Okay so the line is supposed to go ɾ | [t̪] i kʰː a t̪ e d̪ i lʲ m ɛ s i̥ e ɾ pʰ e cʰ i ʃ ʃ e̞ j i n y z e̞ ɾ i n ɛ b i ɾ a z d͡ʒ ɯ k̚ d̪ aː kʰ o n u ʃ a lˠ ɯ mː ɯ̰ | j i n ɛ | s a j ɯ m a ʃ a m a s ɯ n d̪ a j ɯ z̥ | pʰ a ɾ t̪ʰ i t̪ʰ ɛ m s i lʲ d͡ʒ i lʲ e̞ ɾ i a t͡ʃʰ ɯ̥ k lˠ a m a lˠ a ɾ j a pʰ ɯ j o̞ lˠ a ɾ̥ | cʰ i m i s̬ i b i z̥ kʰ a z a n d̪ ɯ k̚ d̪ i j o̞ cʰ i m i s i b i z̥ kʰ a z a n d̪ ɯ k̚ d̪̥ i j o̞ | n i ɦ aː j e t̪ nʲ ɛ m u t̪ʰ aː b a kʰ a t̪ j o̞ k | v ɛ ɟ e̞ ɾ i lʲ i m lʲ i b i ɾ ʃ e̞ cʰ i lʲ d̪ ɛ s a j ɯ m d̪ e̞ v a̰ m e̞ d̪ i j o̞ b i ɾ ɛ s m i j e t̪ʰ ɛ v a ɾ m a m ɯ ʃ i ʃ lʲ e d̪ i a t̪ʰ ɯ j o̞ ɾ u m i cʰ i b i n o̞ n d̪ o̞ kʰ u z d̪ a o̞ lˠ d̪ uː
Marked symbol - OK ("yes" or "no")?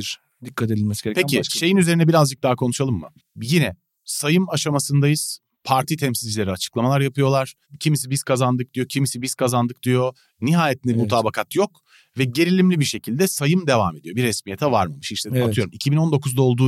no